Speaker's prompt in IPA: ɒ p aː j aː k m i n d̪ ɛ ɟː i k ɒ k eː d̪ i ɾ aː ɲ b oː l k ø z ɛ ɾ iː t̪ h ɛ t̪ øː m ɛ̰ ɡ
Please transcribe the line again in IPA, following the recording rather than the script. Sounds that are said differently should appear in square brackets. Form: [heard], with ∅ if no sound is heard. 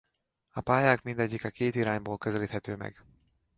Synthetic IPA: ɒ p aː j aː k m i n d̪ ɛ ɟː i k ɒ k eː [t̪] i ɾ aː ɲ b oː l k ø z ɛ [l] iː t̪ h ɛ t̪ øː m ɛ̰ ɡ